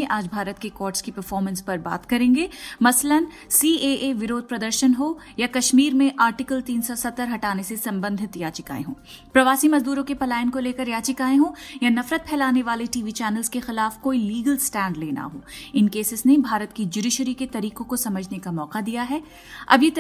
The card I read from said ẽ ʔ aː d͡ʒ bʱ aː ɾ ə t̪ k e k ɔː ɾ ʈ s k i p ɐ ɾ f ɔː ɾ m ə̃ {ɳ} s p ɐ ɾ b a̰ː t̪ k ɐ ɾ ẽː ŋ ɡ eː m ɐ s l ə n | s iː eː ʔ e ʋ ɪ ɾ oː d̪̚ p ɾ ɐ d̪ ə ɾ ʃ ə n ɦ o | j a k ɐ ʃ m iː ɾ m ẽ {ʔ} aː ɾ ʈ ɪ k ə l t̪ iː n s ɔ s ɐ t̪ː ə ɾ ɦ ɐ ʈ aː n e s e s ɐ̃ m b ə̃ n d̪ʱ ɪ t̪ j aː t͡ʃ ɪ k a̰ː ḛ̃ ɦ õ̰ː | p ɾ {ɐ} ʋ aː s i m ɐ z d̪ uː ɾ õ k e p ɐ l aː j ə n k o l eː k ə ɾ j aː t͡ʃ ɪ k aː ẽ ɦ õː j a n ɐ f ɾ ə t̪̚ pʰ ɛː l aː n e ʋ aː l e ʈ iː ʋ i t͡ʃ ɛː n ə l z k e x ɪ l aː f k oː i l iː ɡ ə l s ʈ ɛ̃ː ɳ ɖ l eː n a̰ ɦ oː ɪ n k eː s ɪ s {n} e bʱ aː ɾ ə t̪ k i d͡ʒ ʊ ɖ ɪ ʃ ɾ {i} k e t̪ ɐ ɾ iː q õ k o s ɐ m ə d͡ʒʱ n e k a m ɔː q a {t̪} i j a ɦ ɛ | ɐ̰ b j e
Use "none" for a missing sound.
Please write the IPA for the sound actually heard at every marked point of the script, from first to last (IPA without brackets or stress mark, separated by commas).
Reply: n, ʔ, ɐ, n, i, d̪